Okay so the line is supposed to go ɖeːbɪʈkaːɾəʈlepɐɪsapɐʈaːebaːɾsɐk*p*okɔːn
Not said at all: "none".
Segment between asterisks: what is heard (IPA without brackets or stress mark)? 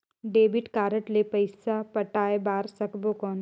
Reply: b